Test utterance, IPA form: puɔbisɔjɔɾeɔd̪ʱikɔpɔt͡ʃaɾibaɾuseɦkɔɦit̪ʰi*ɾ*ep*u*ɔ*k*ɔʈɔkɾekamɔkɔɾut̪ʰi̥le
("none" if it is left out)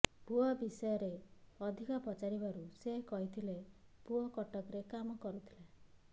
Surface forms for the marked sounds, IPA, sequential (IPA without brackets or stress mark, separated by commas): l, u, k